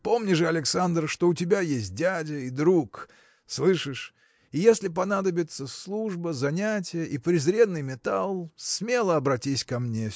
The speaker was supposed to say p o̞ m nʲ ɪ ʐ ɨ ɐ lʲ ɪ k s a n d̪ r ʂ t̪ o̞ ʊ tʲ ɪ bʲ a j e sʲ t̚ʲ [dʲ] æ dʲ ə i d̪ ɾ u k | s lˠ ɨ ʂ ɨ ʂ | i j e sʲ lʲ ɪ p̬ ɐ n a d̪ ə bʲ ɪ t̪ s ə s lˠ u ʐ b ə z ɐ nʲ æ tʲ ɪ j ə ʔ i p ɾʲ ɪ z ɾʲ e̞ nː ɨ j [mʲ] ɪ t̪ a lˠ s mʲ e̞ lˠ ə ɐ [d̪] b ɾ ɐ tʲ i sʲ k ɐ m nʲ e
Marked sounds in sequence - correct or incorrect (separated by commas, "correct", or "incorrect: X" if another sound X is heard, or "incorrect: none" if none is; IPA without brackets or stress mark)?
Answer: correct, correct, incorrect: none